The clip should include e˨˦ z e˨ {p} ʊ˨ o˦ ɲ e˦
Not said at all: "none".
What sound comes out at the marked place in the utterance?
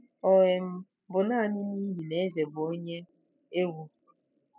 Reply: b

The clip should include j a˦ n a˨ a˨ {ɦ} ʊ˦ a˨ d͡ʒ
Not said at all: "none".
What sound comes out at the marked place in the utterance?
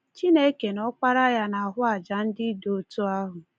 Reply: ɦ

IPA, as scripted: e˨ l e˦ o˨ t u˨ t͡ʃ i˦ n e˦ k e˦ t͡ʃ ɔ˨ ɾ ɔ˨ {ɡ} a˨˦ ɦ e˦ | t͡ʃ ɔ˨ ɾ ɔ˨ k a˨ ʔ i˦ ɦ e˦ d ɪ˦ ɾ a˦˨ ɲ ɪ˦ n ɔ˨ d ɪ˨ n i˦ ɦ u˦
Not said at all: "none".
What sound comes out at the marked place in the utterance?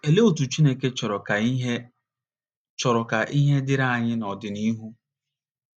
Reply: k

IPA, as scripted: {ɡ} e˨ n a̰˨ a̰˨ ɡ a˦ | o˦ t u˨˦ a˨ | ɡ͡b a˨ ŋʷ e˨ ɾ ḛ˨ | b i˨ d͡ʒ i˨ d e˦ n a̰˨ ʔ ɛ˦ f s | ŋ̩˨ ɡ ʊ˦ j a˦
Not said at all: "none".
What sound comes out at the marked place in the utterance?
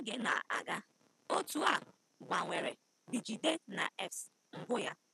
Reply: ɡ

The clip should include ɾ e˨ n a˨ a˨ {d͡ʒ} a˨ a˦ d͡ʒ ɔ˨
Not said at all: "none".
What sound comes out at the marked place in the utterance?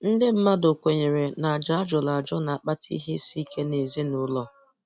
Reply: d͡ʒ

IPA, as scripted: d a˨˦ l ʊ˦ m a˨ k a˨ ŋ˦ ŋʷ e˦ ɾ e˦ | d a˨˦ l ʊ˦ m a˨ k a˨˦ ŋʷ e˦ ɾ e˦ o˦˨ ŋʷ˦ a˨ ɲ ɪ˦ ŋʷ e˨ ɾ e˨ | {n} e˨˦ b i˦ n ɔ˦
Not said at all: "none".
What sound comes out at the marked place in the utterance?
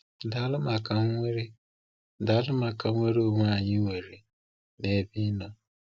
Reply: n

